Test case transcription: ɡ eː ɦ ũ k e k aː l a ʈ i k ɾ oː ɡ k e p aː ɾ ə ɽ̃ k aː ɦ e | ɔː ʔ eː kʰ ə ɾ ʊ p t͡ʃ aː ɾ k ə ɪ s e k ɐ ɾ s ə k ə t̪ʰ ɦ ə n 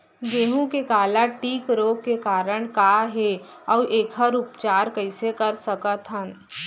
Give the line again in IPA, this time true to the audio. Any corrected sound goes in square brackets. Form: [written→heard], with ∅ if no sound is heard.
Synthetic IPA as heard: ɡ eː ɦ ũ k e k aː l a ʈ [i→iː] k ɾ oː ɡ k e [p→k] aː ɾ ə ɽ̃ k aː ɦ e | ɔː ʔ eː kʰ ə ɾ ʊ p t͡ʃ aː ɾ k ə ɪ s e k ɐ ɾ s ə k ə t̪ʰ ɦ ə n